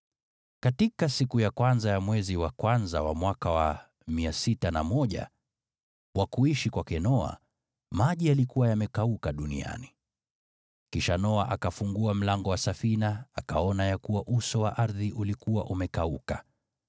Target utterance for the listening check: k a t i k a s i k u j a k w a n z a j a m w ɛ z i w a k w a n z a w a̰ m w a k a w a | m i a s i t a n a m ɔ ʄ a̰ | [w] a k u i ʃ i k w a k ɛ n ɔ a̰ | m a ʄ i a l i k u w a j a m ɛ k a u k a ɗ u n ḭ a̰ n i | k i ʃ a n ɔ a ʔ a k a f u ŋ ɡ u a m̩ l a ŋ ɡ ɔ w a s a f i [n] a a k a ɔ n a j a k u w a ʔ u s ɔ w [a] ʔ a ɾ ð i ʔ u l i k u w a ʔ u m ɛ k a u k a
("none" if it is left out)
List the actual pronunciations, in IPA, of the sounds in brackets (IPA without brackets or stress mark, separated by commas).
w, n, a